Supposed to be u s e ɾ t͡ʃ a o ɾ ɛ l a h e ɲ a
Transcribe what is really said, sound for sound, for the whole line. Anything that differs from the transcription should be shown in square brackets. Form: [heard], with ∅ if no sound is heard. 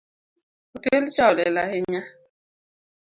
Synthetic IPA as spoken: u [t] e [l] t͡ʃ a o [l] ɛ l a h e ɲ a